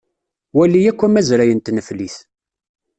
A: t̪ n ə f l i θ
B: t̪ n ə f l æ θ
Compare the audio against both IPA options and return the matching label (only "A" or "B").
A